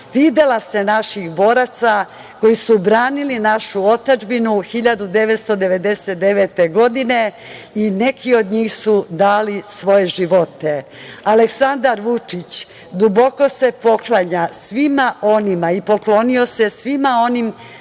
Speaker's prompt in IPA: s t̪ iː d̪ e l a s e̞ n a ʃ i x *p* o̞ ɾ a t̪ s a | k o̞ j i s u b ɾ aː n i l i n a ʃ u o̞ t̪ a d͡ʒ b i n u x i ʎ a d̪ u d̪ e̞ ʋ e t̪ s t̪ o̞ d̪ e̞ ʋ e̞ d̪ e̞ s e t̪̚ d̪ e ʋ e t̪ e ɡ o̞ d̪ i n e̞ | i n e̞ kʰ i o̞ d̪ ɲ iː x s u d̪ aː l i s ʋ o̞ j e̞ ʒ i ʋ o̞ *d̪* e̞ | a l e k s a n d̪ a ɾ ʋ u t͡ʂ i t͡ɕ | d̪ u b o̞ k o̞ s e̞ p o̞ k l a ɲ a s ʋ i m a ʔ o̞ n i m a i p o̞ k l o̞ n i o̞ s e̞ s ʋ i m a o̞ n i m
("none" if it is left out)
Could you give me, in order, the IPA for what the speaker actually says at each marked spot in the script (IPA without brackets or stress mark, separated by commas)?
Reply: b, t̪